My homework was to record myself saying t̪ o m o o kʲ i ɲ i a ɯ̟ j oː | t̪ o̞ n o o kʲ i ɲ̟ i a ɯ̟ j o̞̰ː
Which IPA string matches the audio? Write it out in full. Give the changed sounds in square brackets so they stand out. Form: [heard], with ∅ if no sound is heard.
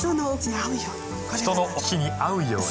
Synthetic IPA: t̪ o [n] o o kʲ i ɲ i a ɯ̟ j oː | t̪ o̞ n o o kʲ i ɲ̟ i a ɯ̟ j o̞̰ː